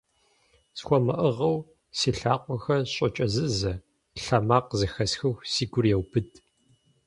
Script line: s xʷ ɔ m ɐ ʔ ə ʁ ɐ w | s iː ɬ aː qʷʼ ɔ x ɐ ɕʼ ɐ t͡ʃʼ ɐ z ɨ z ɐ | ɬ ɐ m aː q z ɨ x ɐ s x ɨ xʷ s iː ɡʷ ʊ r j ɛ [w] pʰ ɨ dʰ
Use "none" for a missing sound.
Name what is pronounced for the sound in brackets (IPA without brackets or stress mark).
w